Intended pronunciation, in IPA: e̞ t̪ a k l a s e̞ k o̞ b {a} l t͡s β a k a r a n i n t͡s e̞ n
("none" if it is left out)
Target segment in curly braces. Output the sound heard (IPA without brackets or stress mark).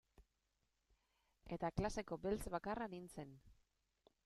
e